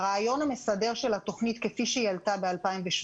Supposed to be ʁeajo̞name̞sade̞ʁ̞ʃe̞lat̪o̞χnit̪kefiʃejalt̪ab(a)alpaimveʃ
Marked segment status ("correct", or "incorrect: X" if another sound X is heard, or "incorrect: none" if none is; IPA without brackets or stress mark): incorrect: e